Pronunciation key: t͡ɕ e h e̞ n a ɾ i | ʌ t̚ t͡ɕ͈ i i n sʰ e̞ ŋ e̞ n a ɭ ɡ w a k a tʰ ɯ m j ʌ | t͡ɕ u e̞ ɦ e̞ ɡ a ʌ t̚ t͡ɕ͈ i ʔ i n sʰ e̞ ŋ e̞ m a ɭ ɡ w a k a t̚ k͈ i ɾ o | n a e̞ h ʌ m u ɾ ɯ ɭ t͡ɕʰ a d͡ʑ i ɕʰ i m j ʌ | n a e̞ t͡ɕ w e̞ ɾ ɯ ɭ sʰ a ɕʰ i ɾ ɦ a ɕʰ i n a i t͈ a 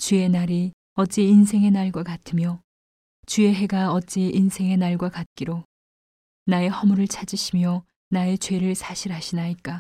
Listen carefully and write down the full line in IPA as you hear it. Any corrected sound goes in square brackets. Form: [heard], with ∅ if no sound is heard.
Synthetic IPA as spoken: t͡ɕ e [∅] e̞ n a ɾ i | ʌ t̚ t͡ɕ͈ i i n sʰ e̞ ŋ e̞ n a ɭ ɡ w a k a tʰ ɯ m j ʌ | t͡ɕ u e̞ ɦ e̞ ɡ a ʌ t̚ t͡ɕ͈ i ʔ i n sʰ e̞ ŋ e̞ [n] a ɭ ɡ w a k a t̚ k͈ i ɾ o | n a e̞ h ʌ m u ɾ ɯ ɭ t͡ɕʰ a d͡ʑ i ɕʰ i m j ʌ | n a e̞ t͡ɕ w e̞ ɾ ɯ ɭ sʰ a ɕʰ i ɾ ɦ a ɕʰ i n a i [k͈] a